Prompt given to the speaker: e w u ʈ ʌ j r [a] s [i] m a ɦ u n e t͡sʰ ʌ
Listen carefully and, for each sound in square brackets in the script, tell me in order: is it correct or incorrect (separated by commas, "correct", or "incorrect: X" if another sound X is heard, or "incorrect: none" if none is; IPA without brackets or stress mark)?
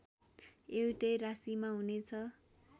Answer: correct, correct